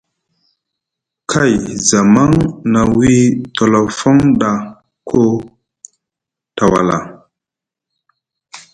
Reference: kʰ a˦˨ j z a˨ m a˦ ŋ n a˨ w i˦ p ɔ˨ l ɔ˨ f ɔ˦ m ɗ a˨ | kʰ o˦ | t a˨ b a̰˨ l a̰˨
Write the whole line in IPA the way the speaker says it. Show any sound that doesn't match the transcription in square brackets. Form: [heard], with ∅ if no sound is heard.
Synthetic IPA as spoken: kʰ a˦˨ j z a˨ m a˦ ŋ n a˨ w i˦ [t] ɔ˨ l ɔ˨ f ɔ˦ [ŋ] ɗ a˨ | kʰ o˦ | t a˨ [w] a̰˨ l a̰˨